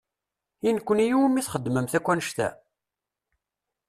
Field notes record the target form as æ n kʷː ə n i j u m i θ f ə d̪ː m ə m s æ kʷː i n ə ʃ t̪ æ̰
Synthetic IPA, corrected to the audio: i n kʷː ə n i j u m i θ χ ə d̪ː m ə m θ æ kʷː æ n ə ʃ t̪ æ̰